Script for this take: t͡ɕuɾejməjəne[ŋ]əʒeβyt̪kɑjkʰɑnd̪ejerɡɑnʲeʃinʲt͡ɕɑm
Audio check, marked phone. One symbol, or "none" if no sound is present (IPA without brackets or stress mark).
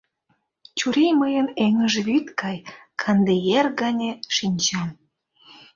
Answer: ŋ